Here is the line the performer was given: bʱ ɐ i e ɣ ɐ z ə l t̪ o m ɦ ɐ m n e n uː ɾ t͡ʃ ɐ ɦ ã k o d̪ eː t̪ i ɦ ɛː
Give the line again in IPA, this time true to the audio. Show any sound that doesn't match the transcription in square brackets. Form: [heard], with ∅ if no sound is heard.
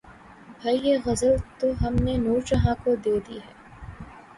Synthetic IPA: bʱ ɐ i e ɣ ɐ z ə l t̪ o [∅] ɦ ɐ m n e n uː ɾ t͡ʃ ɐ ɦ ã k o d̪ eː [d̪] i ɦ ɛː

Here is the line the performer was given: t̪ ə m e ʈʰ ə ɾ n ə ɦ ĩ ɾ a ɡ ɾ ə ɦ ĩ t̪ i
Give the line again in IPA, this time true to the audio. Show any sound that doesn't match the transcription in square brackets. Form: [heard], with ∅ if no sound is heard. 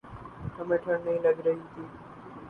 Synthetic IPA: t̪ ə m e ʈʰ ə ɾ n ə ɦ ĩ [l] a ɡ ɾ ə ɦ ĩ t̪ i

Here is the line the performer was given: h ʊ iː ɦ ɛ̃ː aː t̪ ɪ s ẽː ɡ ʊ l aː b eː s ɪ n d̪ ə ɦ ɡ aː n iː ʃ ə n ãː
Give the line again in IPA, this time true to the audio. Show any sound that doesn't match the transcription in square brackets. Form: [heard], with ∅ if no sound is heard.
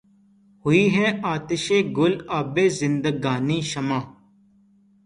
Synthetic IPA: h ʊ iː ɦ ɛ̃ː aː t̪ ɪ [ʃ] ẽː ɡ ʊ l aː b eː [z] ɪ n d̪ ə [∅] ɡ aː n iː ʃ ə [m] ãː

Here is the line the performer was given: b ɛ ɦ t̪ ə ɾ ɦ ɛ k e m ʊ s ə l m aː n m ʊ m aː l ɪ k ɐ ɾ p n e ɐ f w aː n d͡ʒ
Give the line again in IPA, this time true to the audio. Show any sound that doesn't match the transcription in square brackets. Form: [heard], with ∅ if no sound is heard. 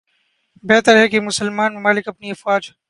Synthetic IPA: b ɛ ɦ t̪ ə ɾ ɦ ɛ k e m ʊ s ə l m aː n m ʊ m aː l ɪ k ɐ [∅] p n [i] ɐ f w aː [∅] d͡ʒ

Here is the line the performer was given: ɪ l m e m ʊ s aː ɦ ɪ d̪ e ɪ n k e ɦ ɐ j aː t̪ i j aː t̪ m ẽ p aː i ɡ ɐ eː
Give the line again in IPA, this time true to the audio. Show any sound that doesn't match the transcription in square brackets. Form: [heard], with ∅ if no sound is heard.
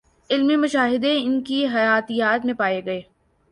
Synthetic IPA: ɪ l m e m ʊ [ʃ] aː ɦ ɪ d̪ e ɪ n k [i] ɦ ɐ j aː t̪ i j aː t̪ m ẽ p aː [e] ɡ ɐ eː

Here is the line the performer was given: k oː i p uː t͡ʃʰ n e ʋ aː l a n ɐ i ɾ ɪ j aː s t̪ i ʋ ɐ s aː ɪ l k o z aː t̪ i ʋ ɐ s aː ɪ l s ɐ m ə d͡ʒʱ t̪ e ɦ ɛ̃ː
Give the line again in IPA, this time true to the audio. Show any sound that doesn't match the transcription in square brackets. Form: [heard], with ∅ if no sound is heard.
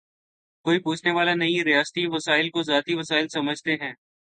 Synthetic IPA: k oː i p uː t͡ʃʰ n e ʋ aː l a n ɐ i ɾ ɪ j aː s t̪ i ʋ ɐ s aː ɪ l k o z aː t̪ i ʋ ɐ s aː ɪ l s ɐ m ə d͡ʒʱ t̪ e ɦ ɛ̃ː

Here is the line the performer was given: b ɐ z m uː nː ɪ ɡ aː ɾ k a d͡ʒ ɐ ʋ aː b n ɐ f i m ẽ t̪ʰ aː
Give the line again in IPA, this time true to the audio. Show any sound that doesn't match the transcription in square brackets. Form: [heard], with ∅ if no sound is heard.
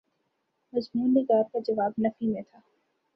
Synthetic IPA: [m] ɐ z m uː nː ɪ ɡ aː ɾ k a d͡ʒ ɐ ʋ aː b n ɐ f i m ẽ t̪ʰ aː

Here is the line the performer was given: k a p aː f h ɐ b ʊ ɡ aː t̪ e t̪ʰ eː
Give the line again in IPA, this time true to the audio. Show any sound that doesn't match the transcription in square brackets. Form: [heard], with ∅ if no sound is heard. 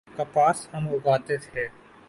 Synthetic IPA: k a p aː [s] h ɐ [m] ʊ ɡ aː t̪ e t̪ʰ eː

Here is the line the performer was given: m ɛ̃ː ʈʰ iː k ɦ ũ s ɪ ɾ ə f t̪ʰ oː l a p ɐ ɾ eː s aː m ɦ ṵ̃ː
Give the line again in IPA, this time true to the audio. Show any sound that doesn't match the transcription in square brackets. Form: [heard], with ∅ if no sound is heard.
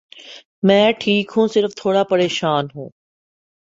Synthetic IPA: m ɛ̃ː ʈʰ iː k ɦ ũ s ɪ ɾ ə f t̪ʰ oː [ɽ] a p ɐ ɾ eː [ʃ] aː [n] ɦ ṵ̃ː

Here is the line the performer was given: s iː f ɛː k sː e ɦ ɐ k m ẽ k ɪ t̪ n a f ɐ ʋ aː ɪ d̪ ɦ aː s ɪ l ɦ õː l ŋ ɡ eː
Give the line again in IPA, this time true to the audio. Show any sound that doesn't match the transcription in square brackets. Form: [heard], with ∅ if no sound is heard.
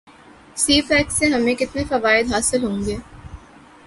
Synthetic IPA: s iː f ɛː k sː e ɦ ɐ [∅] m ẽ k ɪ t̪ n [e] f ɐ ʋ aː ɪ d̪ ɦ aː s ɪ l ɦ õː [∅] ŋ ɡ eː

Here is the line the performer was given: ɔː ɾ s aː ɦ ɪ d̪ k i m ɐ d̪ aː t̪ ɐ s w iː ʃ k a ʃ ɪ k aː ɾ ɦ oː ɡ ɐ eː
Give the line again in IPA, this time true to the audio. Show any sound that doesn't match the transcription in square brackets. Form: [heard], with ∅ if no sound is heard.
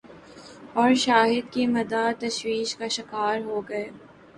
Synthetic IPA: ɔː ɾ [ʃ] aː ɦ ɪ d̪ k i m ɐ d̪ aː t̪ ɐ [ʃ] w iː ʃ k a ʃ ɪ k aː ɾ ɦ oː ɡ ɐ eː

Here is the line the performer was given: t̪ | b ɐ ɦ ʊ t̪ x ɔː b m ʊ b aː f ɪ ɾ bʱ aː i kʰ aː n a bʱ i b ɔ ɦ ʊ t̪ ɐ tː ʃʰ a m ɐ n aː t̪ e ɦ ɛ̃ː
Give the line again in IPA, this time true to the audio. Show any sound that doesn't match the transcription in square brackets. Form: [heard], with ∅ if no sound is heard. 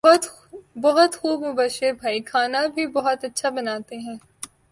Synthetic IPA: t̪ | b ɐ ɦ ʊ t̪ x [uː] b m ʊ b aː [ʃ] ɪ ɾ bʱ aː i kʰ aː n a bʱ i b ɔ ɦ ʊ t̪ ɐ tː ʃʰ a [b] ɐ n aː t̪ e ɦ ɛ̃ː

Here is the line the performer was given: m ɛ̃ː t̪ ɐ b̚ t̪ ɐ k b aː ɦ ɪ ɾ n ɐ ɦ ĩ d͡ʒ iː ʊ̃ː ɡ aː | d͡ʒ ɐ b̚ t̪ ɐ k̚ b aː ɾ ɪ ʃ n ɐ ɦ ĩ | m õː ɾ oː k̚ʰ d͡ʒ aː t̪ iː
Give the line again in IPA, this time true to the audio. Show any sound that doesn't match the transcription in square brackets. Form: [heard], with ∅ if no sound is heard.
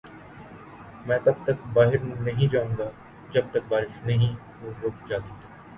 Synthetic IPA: m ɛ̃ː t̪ ɐ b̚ t̪ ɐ k b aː ɦ ɪ ɾ n ɐ ɦ ĩ d͡ʒ [aː] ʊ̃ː ɡ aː | d͡ʒ ɐ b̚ t̪ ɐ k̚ b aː ɾ ɪ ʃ n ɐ ɦ ĩ | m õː ɾ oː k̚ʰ d͡ʒ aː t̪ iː

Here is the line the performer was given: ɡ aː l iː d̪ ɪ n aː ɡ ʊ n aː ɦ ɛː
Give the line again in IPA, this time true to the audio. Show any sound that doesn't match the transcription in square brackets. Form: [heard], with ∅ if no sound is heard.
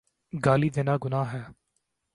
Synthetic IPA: ɡ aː l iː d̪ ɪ n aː ɡ ʊ n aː ɦ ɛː

